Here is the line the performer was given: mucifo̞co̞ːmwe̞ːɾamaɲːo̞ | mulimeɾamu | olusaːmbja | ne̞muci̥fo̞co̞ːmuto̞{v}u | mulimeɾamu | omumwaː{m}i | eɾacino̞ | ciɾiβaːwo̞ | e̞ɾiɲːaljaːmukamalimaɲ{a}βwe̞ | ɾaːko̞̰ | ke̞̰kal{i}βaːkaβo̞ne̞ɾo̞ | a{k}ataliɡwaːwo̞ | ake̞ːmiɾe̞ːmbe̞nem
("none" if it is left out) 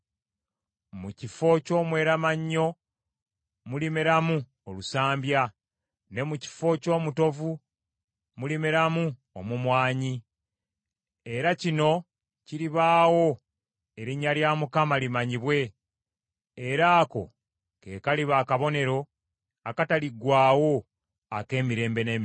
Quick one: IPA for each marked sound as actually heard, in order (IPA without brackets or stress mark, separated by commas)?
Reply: v, ɲ, i, i, k